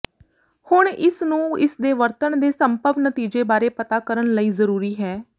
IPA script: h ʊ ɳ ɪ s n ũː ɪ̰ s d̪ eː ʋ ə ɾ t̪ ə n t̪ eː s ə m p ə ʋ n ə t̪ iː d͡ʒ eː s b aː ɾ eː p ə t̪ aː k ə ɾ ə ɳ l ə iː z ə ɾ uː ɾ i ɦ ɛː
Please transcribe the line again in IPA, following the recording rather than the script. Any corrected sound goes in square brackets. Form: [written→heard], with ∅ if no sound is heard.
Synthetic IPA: h ʊ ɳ ɪ s n ũː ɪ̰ s d̪ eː ʋ ə ɾ t̪ ə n [t̪→d̪] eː s ə m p ə ʋ n ə t̪ iː d͡ʒ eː [s→∅] b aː ɾ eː p ə t̪ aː k ə ɾ ə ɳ l ə iː z ə ɾ uː ɾ [i→iː] ɦ ɛː